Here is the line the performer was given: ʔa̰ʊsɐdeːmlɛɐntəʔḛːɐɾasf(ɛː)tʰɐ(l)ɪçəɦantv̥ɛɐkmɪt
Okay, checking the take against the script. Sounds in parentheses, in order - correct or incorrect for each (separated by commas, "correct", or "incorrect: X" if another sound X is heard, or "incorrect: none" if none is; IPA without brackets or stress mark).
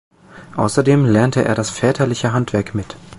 correct, correct